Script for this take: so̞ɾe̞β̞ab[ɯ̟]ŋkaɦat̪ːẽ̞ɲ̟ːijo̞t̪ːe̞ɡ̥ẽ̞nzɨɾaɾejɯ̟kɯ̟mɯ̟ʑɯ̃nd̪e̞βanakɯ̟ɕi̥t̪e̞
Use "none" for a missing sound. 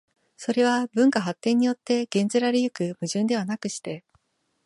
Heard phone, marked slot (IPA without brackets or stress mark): ɯ̟̃